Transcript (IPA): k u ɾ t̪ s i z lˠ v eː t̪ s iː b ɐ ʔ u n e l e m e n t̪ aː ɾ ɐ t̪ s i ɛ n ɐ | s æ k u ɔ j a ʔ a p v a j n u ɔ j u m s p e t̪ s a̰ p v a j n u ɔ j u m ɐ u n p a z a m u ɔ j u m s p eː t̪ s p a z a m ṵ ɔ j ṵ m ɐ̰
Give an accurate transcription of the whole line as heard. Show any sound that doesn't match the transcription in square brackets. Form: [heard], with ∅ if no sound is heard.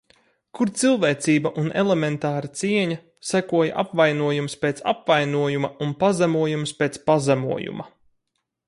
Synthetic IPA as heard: k u ɾ t̪ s i [∅] lˠ v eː t̪ s iː b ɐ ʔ u n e l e m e n t̪ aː ɾ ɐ t̪ s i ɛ [ɲ] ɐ | s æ k u ɔ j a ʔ a p v a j n u ɔ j u m s p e t̪ s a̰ p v a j n u ɔ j u m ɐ u n p a z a m u ɔ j u m s p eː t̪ s p a z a m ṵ ɔ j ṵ m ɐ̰